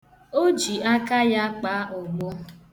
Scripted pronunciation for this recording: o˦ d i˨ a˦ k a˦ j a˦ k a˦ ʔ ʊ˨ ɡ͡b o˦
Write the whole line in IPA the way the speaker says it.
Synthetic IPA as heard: o˦ d͡ʒ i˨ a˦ k a˦ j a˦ k͡p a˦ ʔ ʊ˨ ɡ͡b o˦